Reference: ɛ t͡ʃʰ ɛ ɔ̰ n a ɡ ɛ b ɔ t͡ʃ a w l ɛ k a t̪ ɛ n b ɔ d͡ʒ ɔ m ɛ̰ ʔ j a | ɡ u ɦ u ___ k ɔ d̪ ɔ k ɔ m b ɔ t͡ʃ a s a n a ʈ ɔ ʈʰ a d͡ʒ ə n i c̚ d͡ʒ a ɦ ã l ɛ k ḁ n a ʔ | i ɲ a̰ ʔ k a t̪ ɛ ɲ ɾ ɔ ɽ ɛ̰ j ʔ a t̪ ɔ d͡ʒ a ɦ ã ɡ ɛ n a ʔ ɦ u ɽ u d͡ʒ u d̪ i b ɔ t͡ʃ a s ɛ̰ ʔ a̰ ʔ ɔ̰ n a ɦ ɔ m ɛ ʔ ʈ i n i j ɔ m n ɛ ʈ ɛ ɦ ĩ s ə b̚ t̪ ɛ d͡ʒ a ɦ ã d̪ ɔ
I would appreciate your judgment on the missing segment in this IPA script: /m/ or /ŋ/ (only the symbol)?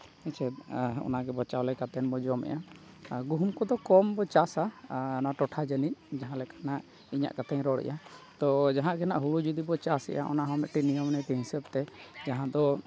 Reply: m